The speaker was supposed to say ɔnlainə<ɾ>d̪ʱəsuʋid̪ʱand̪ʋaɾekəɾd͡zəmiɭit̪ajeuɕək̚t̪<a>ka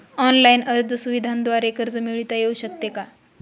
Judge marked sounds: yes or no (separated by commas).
yes, no